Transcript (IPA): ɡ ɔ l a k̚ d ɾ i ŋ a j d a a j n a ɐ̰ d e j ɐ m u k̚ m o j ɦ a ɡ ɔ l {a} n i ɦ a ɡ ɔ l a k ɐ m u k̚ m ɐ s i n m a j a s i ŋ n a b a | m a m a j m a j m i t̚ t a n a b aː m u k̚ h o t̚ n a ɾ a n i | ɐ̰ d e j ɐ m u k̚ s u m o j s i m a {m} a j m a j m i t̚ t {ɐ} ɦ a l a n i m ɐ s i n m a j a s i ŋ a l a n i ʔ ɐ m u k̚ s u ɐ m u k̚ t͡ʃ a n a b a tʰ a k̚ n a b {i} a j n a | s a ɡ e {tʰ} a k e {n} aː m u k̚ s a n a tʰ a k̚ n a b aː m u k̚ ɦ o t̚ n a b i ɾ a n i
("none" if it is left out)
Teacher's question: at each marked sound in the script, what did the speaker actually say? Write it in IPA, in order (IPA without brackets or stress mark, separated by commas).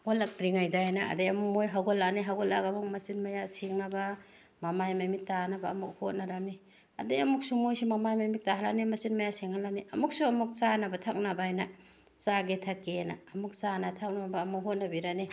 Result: a, m, a, a, tʰ, n